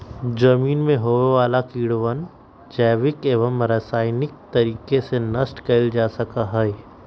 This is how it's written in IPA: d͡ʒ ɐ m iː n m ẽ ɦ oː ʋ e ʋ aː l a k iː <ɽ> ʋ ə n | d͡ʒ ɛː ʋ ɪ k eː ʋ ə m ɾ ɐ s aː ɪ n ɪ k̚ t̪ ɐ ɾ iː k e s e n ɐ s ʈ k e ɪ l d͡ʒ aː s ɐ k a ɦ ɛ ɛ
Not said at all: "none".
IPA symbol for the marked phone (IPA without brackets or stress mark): ɽ